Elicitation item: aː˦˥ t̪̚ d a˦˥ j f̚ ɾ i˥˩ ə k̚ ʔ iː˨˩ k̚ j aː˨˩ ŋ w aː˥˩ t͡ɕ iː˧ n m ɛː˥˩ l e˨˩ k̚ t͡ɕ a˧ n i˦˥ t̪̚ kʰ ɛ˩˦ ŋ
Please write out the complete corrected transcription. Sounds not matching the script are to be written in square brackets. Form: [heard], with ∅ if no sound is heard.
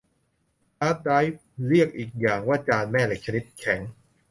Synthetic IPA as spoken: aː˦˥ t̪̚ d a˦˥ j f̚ ɾ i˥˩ ə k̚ ʔ iː˨˩ k̚ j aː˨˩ ŋ w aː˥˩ t͡ɕ [aː˧] n m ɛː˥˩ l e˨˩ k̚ [t͡ɕʰ] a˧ n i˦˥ t̪̚ kʰ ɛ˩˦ ŋ